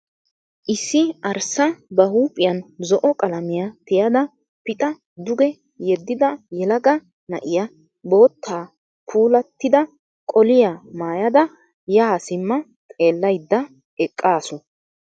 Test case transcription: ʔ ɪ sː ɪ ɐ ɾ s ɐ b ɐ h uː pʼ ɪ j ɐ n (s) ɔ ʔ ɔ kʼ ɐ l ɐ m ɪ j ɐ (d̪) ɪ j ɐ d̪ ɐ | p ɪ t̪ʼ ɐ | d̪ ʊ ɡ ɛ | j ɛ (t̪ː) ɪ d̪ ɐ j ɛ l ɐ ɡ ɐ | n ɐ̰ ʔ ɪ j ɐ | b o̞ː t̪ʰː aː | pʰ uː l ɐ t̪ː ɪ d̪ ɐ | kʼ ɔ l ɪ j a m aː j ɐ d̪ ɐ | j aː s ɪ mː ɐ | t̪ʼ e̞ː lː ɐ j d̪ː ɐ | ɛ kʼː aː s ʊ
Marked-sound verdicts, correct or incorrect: incorrect: z, incorrect: t̪, incorrect: d̪ː

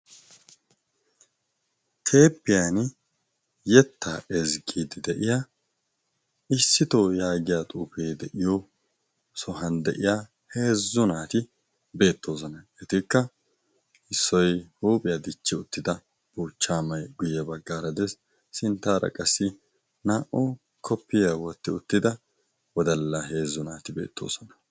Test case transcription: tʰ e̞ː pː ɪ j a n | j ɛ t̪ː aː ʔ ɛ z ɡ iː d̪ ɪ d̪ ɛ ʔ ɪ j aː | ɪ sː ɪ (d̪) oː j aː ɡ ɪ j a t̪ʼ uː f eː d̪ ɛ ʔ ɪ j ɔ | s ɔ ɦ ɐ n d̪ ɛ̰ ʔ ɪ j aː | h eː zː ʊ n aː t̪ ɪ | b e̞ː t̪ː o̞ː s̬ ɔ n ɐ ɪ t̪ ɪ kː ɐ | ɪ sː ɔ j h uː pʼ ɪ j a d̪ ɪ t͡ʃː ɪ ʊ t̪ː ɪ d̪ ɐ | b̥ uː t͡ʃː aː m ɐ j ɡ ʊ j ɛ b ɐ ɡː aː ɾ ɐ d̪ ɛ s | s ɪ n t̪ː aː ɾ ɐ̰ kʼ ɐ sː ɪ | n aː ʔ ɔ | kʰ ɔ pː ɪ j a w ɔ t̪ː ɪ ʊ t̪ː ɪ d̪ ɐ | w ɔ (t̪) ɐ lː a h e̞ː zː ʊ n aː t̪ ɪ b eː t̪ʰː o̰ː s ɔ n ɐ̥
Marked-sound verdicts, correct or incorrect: incorrect: t̪, incorrect: d̪

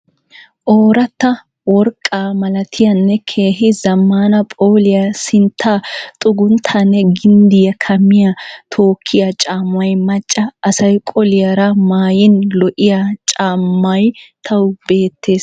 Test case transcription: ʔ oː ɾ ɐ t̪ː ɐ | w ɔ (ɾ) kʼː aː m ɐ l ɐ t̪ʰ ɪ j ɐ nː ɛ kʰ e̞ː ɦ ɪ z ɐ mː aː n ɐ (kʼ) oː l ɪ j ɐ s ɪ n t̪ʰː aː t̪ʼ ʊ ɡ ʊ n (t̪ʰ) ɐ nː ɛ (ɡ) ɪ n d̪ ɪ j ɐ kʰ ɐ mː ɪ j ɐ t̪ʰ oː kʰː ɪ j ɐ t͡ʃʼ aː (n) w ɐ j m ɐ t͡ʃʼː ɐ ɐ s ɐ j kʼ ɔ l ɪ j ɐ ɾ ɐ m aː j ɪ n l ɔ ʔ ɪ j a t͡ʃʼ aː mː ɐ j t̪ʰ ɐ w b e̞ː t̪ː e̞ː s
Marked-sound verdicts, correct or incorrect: correct, incorrect: pʼ, correct, correct, incorrect: m

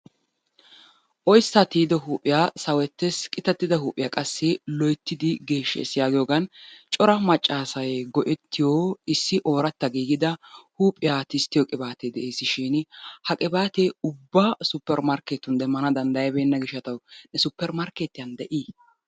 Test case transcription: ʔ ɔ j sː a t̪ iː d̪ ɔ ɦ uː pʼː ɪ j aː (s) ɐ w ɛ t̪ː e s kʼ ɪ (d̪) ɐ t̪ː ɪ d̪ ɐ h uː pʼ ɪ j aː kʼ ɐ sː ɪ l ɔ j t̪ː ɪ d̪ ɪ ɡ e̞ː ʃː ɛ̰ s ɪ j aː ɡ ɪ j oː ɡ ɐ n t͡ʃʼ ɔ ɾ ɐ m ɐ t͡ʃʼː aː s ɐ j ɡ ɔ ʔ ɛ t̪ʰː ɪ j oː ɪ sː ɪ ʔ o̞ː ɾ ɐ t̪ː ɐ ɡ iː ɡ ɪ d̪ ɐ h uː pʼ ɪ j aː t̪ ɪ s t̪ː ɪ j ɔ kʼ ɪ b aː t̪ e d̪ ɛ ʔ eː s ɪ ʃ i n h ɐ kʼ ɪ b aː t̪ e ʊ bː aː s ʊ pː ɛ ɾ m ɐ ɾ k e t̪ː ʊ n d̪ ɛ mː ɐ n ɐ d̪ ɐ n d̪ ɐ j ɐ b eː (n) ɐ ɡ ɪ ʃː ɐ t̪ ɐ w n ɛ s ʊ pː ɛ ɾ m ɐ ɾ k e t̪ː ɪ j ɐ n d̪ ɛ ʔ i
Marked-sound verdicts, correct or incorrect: correct, incorrect: t̪, incorrect: nː

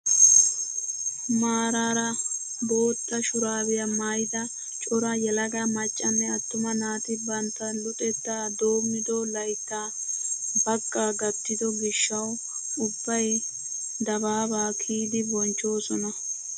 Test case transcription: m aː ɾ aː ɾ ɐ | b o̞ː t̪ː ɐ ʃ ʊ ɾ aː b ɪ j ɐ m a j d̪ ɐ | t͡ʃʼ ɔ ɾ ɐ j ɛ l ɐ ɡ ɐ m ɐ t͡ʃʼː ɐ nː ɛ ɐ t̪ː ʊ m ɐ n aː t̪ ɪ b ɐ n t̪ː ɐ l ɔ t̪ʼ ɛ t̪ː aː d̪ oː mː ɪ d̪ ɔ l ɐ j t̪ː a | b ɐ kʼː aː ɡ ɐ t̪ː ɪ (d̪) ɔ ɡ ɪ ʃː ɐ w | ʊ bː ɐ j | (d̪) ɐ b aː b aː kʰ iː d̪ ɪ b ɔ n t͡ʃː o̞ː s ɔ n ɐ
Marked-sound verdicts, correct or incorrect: correct, correct

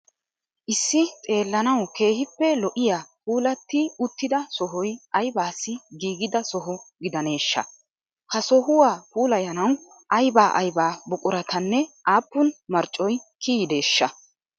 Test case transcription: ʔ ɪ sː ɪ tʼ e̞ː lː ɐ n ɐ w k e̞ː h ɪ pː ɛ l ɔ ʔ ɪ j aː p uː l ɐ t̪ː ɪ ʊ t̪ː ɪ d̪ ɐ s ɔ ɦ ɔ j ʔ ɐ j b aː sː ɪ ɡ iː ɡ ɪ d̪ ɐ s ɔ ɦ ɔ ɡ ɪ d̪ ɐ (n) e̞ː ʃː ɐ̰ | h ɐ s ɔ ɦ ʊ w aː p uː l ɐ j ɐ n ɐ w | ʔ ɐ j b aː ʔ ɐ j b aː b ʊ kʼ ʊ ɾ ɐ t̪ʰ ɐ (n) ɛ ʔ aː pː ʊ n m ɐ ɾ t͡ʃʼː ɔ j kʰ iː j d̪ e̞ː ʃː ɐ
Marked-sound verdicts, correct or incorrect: correct, incorrect: nː

